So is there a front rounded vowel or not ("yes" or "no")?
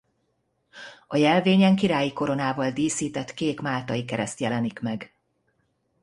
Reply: no